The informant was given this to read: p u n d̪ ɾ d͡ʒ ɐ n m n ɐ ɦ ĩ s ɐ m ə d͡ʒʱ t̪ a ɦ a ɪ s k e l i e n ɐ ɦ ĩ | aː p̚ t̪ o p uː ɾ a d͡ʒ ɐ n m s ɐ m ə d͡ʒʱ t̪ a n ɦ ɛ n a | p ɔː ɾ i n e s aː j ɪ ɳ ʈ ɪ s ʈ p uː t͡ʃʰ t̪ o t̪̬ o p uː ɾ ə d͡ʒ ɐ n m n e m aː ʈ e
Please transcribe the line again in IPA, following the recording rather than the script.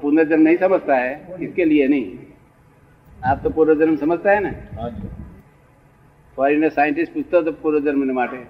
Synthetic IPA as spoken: p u n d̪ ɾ d͡ʒ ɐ n m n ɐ ɦ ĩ s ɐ m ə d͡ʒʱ t̪ a ɦ ɛ ɪ s k e l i e n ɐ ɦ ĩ | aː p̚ t̪ o p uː ɾ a d͡ʒ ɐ n m s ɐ m ə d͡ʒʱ t̪ a ɦ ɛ n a | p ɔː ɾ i n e s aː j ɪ ɳ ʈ ɪ s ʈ p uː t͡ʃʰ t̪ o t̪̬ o p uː ɾ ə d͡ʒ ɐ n m n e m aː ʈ e